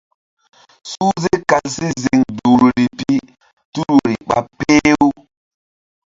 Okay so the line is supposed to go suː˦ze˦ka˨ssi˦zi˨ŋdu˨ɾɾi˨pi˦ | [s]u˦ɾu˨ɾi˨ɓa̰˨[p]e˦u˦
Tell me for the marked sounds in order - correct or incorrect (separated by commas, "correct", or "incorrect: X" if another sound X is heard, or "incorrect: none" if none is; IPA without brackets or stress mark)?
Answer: incorrect: t, correct